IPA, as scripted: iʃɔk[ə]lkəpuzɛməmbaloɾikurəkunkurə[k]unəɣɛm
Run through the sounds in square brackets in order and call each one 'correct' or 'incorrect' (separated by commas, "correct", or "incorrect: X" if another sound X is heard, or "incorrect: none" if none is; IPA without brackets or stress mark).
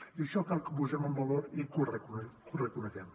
incorrect: a, correct